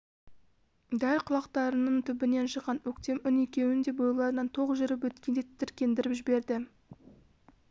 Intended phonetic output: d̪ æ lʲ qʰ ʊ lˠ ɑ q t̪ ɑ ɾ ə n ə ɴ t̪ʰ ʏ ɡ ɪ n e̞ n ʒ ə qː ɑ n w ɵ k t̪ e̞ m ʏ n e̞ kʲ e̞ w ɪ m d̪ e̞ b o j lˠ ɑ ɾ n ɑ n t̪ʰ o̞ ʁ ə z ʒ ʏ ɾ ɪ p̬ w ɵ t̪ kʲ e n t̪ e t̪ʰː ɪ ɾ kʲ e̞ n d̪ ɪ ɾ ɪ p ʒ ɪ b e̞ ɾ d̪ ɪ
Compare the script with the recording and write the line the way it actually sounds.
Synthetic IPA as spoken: d̪ æ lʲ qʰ ʊ lˠ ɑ q t̪ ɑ ɾ ə n ə ɴ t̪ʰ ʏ b ɪ n e̞ n ʃ ə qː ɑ n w ɵ k t̪ e̞ m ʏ n e̞ kʲ e̞ w ɪ n d̪ e̞ b o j lˠ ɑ ɾ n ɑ n t̪ʰ o̞ ʁ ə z ʒ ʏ ɾ ɪ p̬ w ɵ t̪ kʲ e n d̪ e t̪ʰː ɪ ɾ kʲ e̞ n d̪ ɪ ɾ ɪ p ʒ ɪ b e̞ ɾ d̪ ɪ